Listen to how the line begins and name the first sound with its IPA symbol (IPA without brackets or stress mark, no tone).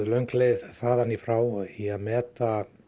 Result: l